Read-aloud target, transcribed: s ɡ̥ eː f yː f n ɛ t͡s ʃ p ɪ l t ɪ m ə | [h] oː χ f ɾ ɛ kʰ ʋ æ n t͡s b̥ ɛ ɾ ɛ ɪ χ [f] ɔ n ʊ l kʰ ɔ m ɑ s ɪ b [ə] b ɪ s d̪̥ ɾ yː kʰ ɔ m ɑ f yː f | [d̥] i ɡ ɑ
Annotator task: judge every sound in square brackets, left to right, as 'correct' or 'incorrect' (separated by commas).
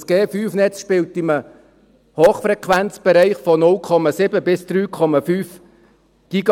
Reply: correct, correct, correct, incorrect